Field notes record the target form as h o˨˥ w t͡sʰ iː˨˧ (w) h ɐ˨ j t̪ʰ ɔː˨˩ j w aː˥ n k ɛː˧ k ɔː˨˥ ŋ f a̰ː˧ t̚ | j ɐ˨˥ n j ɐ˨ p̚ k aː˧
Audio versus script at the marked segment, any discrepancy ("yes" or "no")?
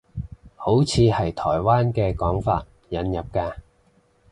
yes